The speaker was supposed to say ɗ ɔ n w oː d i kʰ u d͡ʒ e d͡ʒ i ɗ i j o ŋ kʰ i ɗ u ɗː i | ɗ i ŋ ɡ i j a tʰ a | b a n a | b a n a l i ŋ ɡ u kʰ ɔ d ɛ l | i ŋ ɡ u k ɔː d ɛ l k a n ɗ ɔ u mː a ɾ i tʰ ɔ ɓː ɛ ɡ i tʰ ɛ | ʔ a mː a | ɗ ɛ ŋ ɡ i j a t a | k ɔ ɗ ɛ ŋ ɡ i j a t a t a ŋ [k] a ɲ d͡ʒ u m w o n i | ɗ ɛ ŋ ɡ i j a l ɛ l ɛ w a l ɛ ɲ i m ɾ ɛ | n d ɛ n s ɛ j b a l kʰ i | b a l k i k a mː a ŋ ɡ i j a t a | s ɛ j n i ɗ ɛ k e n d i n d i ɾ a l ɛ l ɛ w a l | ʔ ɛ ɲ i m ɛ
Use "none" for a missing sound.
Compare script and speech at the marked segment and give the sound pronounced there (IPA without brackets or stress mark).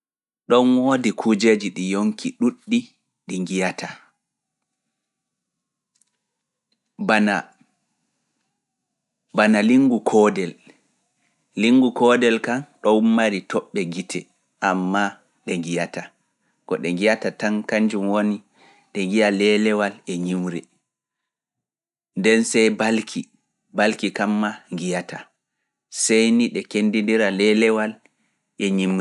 k